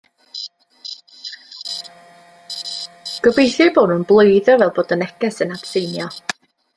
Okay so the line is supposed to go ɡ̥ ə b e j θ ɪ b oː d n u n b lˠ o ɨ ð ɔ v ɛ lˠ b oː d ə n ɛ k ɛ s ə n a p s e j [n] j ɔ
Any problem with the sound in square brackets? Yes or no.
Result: no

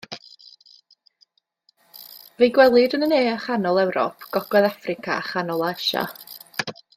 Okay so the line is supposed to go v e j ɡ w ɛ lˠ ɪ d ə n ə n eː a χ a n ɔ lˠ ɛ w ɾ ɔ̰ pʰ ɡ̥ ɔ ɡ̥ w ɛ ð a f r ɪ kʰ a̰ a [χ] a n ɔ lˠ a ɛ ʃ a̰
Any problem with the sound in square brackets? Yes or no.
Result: no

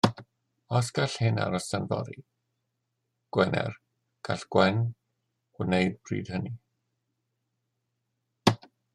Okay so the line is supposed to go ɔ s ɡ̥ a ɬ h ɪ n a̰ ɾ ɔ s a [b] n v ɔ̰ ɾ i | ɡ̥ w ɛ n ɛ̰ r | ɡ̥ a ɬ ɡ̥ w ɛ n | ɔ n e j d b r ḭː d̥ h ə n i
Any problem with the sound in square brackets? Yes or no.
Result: yes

